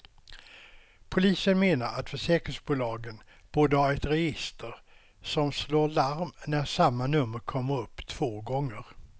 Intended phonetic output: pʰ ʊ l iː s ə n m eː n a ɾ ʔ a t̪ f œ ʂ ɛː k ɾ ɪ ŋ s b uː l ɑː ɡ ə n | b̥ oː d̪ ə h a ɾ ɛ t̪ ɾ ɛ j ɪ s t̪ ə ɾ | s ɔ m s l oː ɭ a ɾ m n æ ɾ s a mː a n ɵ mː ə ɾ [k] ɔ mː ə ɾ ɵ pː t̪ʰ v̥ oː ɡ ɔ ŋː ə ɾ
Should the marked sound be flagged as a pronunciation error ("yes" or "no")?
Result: yes